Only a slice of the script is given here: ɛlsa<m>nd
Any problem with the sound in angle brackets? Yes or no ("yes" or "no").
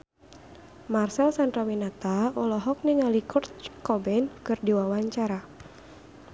yes